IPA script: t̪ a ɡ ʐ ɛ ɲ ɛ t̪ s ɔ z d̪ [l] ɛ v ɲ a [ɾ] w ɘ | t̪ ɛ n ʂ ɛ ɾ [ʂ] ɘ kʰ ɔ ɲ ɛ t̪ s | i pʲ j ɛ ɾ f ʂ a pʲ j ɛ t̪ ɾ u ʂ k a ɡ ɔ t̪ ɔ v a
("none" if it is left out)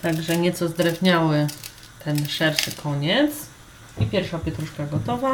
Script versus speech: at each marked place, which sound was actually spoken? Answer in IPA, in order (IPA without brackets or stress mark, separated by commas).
ɾ, none, ʂ